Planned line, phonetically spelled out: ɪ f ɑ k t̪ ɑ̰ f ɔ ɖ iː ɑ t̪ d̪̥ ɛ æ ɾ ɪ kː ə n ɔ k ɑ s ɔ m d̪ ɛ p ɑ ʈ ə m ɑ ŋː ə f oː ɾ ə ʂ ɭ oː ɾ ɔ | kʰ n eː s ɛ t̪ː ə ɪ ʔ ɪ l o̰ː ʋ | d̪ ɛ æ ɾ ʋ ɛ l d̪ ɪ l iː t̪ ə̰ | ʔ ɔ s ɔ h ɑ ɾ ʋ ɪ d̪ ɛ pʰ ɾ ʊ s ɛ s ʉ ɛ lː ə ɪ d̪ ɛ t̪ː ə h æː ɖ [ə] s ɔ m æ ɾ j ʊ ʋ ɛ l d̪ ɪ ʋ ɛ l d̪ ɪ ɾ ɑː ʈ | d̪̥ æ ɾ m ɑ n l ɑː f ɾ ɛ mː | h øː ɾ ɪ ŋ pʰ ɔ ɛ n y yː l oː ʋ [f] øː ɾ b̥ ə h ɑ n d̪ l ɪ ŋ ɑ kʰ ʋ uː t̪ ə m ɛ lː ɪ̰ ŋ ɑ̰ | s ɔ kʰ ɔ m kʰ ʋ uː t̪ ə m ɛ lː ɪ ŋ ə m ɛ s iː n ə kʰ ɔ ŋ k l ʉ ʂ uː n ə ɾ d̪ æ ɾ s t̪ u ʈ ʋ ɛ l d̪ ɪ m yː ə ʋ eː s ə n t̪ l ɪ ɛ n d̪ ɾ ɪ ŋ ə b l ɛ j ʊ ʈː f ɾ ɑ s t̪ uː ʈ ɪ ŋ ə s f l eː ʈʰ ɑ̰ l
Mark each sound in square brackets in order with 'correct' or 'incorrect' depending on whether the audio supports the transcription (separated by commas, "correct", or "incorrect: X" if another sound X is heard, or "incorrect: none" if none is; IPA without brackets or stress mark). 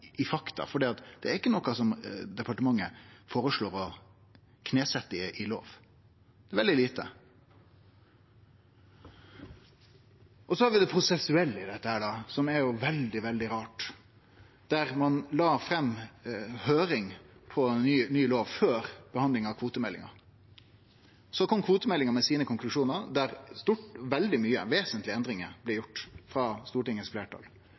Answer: incorrect: ɑ, correct